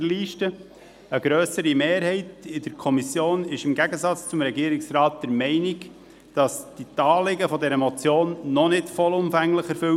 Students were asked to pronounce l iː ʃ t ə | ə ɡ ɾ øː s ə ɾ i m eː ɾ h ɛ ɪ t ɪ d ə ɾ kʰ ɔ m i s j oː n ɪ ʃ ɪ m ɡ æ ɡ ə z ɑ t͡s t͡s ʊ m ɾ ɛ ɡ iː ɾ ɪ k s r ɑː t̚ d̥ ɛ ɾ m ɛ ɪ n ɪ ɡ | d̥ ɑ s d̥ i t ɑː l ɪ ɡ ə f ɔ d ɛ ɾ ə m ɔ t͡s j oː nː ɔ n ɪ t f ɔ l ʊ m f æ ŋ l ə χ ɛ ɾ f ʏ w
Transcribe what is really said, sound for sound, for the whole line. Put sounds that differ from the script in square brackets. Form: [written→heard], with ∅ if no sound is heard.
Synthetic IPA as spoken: l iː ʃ t ə | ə ɡ ɾ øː s ə ɾ i m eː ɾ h ɛ ɪ t ɪ d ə ɾ kʰ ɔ m i s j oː n ɪ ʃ ɪ m ɡ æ ɡ ə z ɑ t͡s t͡s ʊ m ɾ ɛ ɡ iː ɾ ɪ k s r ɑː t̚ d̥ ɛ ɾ m ɛ ɪ n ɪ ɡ | d̥ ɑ s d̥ i t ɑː l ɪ ɡ ə f ɔ d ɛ ɾ ə m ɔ t͡s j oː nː ɔ n ɪ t f ɔ l ʊ m f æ ŋ l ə χ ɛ ɾ f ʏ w